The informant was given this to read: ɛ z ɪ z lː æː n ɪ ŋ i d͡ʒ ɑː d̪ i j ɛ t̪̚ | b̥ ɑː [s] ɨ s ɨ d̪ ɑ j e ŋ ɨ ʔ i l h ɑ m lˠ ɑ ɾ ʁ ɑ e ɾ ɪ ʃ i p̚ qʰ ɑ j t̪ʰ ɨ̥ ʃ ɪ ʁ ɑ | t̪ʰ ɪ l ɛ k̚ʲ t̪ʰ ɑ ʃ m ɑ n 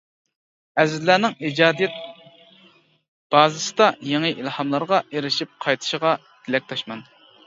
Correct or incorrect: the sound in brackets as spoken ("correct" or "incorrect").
incorrect